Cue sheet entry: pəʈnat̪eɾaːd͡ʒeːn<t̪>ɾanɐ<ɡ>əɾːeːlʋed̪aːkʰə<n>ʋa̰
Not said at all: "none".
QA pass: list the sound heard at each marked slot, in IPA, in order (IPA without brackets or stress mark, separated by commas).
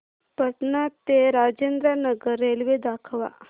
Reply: d̪, ɡ, none